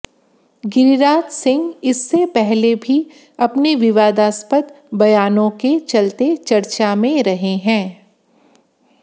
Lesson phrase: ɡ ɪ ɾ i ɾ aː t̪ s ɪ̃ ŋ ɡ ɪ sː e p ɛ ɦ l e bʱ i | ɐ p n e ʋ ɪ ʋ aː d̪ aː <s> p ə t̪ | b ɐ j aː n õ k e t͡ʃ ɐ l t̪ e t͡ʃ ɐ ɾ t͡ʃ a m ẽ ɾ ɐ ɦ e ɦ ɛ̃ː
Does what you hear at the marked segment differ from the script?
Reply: no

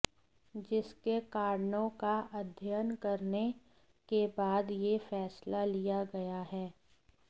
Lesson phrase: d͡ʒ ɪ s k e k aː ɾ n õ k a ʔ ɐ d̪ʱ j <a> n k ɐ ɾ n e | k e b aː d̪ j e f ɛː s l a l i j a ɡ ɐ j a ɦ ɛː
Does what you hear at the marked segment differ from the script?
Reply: yes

